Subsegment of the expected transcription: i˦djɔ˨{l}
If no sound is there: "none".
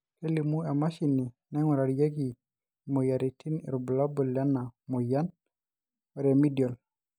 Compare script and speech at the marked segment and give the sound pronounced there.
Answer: l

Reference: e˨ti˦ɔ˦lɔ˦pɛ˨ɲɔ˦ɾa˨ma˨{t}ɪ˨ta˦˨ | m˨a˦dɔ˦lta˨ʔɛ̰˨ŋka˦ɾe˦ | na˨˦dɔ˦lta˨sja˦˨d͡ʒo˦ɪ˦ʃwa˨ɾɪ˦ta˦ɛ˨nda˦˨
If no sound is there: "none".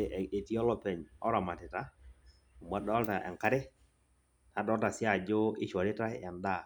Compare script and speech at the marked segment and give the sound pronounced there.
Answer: t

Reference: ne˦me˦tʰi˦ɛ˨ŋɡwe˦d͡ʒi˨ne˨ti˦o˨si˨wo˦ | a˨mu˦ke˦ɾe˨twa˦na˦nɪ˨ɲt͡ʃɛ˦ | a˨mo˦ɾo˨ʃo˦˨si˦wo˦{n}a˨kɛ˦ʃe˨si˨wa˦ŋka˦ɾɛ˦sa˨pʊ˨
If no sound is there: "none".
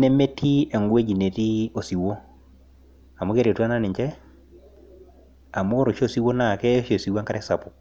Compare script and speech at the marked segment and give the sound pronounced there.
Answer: n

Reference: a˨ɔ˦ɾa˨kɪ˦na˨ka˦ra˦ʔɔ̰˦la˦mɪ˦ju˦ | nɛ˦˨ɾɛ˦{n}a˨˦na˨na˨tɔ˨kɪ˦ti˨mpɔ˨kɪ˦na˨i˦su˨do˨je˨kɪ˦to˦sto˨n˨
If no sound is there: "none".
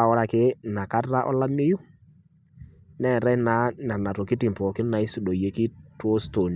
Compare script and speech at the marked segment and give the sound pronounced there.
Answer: n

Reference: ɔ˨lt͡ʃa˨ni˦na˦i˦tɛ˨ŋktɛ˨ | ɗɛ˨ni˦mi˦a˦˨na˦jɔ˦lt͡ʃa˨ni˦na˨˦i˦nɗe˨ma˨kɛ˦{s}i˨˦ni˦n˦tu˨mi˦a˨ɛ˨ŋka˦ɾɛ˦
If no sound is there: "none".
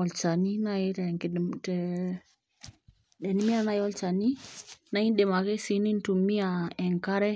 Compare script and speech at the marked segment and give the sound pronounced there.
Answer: s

